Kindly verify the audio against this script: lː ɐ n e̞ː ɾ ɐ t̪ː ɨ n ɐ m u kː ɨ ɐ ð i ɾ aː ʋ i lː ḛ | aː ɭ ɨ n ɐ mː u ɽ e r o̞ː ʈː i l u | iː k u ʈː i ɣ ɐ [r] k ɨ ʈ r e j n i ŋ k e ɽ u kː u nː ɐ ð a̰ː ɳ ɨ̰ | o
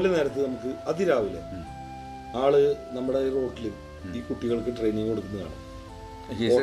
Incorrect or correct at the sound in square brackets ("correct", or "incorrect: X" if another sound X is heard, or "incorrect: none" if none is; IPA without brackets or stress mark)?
incorrect: ɭ